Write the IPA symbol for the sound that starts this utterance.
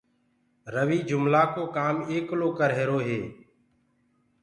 ɾ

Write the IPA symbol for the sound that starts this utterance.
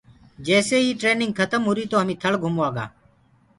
d͡ʒ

